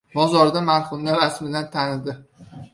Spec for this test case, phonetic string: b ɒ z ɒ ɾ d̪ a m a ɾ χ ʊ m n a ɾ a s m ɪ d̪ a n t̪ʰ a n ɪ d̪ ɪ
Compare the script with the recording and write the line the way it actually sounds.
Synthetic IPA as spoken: b ɒ z ɒ ɾ d̪ a m a ɾ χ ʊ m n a ɾ a s m ɪ d̪ a n t̪ʰ a n ɪ d̪ ɪ